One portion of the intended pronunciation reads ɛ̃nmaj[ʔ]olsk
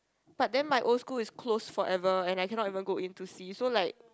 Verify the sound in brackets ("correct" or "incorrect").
correct